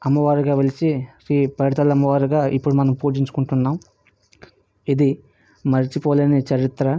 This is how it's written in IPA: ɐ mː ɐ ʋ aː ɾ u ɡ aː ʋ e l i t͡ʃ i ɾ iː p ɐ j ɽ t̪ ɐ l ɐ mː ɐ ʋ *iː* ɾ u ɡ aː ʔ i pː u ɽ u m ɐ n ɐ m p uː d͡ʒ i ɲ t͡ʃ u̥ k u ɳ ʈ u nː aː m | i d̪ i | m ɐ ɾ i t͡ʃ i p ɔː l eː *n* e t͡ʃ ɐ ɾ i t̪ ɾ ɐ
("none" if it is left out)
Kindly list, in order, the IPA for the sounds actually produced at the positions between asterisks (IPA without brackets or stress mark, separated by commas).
aː, n